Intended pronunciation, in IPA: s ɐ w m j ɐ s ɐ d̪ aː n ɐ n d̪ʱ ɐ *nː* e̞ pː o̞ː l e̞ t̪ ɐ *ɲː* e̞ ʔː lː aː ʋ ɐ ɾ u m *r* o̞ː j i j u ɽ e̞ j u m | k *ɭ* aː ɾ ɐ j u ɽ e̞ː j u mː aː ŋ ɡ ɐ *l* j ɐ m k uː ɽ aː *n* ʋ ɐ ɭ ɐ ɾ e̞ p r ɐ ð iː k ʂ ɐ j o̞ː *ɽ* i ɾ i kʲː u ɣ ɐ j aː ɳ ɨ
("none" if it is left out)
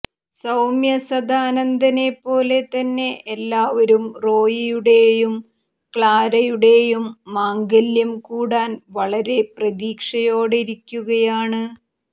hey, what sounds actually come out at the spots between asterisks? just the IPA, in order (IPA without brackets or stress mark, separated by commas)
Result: n, nː, r, ɭ, l, n, ɽ